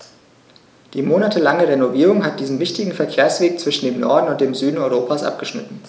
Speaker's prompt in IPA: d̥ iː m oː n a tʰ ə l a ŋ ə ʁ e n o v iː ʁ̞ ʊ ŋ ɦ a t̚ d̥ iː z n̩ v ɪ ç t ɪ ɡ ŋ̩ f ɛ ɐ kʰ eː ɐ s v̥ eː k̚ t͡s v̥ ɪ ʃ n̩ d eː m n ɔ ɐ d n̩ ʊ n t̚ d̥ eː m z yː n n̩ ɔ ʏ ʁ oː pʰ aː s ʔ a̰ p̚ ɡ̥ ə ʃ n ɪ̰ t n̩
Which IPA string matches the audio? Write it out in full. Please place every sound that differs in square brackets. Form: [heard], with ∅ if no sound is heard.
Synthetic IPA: d̥ iː m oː n a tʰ ə l a ŋ ə ʁ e n o v iː ʁ̞ ʊ ŋ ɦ a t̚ d̥ iː z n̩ v ɪ ç t ɪ ɡ ŋ̩ f ɛ ɐ kʰ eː ɐ s v̥ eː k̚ t͡s v̥ ɪ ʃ n̩ d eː m n ɔ ɐ d n̩ ʊ n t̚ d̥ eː m z yː [d] n̩ ɔ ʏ ʁ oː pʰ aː s ʔ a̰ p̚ ɡ̥ ə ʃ n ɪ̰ t n̩